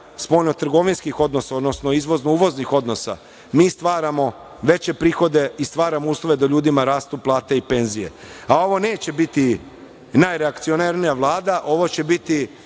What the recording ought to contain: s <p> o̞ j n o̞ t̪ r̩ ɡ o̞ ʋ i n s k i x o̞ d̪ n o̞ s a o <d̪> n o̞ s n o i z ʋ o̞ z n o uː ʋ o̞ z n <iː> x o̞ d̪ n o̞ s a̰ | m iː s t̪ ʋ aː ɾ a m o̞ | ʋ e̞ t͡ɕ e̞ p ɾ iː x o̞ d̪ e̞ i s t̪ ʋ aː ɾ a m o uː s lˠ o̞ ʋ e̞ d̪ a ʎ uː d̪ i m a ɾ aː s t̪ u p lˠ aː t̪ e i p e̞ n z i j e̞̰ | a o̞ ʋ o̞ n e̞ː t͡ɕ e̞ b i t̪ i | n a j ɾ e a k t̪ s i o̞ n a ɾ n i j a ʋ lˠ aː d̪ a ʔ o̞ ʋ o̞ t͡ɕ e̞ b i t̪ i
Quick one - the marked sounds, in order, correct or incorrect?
correct, correct, incorrect: i

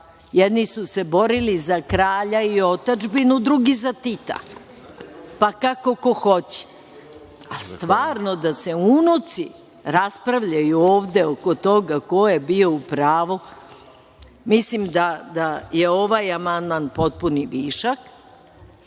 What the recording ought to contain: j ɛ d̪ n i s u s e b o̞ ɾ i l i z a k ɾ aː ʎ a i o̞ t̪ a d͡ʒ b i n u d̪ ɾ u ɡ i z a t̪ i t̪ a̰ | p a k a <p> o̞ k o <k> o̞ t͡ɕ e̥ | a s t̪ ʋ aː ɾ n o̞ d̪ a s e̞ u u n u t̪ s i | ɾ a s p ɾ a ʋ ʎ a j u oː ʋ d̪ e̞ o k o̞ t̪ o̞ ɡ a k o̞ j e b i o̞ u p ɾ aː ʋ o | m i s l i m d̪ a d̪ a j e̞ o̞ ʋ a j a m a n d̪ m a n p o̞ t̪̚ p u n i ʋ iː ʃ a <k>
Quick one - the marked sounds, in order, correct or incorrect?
incorrect: k, incorrect: x, correct

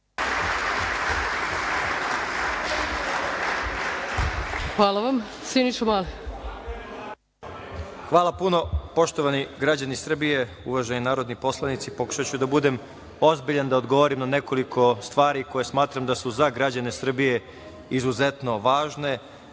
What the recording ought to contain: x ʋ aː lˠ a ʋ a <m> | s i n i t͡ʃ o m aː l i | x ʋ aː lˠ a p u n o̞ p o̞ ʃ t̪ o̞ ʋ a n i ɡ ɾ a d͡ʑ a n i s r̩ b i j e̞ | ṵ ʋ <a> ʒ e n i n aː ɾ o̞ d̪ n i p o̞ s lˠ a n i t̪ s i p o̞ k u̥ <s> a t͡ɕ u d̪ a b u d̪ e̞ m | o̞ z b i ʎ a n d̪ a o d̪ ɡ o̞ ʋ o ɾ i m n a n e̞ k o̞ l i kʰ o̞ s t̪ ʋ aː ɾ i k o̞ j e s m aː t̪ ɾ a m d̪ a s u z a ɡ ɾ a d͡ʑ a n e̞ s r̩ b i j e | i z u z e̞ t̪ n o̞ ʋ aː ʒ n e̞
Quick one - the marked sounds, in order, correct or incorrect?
correct, correct, incorrect: ʃ

